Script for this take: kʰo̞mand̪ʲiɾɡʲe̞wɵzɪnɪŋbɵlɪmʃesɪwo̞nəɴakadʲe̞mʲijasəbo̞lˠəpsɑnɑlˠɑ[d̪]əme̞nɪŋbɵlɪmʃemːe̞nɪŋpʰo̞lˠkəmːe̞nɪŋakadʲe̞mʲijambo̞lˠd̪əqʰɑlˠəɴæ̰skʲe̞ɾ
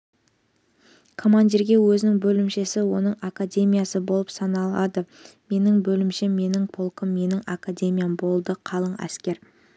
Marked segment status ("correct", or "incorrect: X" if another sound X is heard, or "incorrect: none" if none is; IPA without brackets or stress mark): correct